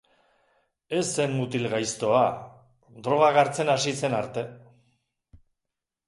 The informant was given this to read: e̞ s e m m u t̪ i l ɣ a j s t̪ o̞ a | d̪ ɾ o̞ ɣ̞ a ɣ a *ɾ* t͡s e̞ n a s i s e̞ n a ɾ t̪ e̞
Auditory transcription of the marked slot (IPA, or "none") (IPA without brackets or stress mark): ɾ